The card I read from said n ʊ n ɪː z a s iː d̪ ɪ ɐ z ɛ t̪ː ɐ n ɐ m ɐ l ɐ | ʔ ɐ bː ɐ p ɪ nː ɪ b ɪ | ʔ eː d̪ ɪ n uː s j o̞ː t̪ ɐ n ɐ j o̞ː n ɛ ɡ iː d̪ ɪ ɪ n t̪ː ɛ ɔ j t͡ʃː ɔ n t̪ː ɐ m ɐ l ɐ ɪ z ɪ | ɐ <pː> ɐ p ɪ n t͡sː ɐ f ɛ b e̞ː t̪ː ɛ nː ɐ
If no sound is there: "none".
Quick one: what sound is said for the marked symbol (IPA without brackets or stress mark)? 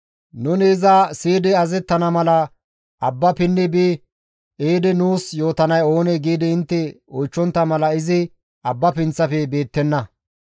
bː